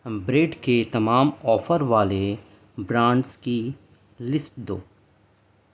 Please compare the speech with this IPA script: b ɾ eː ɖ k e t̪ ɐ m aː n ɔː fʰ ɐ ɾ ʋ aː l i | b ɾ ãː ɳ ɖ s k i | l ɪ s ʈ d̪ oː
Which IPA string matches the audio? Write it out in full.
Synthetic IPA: b ɾ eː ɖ k e t̪ ɐ m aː m ɔː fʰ ə ɾ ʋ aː l e | b ɾ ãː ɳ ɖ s k i | l ɪ s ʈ d̪ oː